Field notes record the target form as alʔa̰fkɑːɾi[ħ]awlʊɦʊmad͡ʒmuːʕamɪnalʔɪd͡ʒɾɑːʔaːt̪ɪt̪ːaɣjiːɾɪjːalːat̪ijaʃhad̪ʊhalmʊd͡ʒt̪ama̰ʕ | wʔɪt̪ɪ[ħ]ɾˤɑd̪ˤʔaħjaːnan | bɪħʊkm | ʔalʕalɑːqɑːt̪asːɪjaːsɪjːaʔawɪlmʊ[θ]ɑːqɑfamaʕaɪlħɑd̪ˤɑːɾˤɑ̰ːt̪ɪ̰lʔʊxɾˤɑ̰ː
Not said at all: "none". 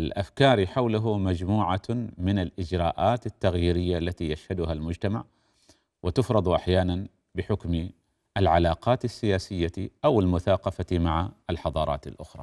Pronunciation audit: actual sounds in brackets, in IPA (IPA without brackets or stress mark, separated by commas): ħ, f, θ